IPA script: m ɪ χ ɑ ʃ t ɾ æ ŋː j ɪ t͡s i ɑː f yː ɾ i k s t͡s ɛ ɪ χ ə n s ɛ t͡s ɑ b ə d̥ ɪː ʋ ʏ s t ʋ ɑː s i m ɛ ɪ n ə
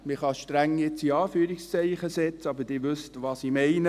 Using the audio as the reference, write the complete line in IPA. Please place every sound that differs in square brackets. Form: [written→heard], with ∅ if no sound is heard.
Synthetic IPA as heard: m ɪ χ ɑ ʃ t ɾ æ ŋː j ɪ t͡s i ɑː f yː ɾ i k s t͡s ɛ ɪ χ ə [n→∅] s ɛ t͡s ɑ b ə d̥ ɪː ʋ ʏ s t ʋ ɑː s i m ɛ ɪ n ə

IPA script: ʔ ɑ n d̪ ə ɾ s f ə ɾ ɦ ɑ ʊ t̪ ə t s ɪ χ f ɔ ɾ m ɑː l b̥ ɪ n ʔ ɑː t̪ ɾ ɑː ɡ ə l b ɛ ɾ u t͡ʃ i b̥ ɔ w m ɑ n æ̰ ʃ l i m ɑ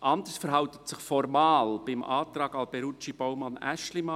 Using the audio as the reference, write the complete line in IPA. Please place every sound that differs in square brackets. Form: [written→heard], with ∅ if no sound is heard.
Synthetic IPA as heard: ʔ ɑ n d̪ ə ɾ s f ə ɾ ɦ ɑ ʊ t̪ ə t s ɪ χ f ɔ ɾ m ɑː l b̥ ɪ [n→m] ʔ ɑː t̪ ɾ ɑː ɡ [ə→ɑ] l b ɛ ɾ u t͡ʃ i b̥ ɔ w m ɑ n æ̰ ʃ l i m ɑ

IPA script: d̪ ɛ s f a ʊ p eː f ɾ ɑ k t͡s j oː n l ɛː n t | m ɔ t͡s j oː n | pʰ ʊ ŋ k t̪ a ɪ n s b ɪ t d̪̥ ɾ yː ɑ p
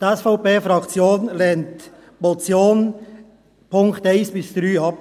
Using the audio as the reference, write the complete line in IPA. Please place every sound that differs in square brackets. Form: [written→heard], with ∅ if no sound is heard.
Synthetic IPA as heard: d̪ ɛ s f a ʊ p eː f ɾ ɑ k t͡s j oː n l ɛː n t | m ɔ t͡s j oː n | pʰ ʊ ŋ k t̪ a ɪ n s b ɪ [t→s] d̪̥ ɾ yː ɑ p

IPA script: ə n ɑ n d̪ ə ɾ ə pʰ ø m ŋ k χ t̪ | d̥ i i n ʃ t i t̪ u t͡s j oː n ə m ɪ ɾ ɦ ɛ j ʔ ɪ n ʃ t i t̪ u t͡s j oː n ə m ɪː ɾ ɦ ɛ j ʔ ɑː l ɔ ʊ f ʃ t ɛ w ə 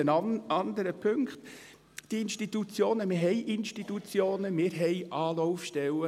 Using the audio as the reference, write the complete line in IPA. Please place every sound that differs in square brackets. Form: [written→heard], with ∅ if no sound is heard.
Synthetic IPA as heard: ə n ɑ n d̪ ə ɾ ə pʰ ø [m→∅] ŋ k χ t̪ | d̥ i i n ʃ t i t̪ u t͡s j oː n ə m ɪ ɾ ɦ ɛ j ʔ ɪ n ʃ t i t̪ u t͡s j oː n ə m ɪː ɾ ɦ ɛ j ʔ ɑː l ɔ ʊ f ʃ t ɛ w ə

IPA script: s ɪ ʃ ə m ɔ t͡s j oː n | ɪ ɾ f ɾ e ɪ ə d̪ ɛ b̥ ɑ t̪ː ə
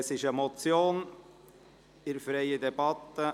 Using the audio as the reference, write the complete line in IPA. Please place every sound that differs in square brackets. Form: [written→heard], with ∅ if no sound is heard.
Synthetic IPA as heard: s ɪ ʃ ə m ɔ t͡s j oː n | ɪ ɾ f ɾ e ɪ ə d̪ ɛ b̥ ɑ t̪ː ə

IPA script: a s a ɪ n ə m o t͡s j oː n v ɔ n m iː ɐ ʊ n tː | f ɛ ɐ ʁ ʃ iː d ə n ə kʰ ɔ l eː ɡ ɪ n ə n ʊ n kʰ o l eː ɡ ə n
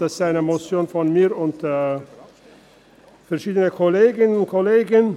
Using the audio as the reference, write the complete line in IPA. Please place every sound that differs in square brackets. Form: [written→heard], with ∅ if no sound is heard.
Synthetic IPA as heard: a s a ɪ n ə m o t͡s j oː n [v→f] ɔ n m iː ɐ ʊ n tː | f ɛ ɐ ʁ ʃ iː d ə n ə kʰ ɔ l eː ɡ ɪ n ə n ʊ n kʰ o l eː ɡ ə n

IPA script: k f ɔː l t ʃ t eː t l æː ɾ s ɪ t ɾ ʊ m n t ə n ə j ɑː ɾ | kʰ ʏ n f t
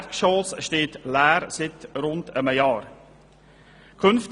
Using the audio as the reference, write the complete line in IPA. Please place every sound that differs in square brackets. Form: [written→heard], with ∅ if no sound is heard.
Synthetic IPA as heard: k [f→ʃ] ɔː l [t→s] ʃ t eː t l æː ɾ s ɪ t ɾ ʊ [m→∅] n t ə [n→m] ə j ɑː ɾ | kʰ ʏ n f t

